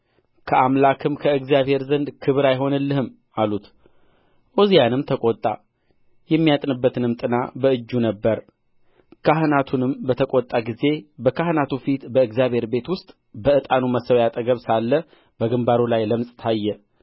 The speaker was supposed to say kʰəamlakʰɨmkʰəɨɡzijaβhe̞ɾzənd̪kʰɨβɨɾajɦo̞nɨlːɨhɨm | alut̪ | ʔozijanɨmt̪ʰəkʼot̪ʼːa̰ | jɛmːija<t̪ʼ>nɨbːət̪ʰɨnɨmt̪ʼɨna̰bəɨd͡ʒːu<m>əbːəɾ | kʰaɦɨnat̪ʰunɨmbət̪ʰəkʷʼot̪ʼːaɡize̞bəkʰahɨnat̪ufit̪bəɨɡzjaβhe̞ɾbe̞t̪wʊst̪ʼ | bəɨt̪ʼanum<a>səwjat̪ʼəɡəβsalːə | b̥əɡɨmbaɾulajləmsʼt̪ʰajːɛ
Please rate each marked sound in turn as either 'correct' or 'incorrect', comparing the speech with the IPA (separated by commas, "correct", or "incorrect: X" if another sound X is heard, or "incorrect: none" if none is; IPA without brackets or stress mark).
correct, incorrect: n, incorrect: ə